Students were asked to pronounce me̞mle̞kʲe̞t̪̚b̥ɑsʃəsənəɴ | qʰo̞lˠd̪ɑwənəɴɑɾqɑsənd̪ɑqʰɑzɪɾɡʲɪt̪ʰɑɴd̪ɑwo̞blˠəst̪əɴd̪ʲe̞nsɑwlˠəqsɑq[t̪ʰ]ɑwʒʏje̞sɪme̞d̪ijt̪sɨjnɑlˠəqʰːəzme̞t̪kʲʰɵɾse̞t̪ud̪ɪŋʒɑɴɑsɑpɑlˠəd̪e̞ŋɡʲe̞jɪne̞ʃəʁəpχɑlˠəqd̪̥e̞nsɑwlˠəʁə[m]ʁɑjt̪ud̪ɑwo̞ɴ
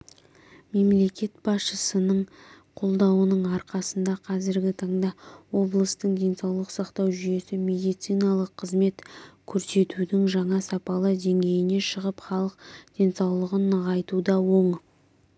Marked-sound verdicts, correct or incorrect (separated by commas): incorrect, incorrect